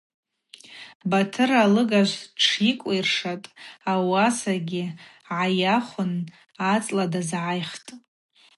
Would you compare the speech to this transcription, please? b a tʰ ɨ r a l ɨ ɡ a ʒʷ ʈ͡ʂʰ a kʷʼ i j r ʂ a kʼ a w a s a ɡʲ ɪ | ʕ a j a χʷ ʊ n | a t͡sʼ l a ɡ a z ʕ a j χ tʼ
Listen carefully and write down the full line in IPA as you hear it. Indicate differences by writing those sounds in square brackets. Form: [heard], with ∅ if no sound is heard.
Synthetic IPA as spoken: b a tʰ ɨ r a l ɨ ɡ a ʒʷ ʈ͡ʂʰ [i] kʷʼ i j r ʂ a [tʼ] a w a s a ɡʲ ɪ | ʕ a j a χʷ ʊ n | a t͡sʼ l a [d] a z ʕ a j χ tʼ